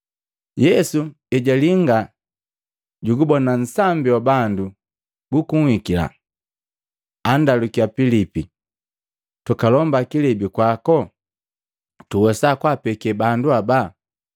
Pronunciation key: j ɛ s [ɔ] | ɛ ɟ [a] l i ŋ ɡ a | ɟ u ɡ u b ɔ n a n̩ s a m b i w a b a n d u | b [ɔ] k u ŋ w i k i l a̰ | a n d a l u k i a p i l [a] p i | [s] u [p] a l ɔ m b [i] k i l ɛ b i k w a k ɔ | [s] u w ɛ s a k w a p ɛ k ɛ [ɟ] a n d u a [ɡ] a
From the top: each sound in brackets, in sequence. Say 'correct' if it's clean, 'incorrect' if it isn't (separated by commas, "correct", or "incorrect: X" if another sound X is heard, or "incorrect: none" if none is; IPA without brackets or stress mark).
incorrect: u, correct, incorrect: u, incorrect: i, incorrect: t, incorrect: k, incorrect: a, incorrect: t, incorrect: b, incorrect: b